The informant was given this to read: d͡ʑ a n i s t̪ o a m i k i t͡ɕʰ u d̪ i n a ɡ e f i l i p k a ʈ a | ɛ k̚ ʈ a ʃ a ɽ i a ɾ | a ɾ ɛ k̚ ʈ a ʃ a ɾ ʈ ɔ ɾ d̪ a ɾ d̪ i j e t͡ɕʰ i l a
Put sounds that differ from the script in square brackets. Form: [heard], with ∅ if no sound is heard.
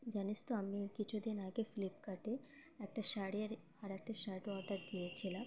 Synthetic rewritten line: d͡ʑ a n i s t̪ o a m i k i t͡ɕʰ u d̪ i n a ɡ e f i l i p k a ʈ [e] | ɛ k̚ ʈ a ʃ a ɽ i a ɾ | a ɾ ɛ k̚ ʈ a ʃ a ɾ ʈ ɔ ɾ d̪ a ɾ d̪ i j e t͡ɕʰ i l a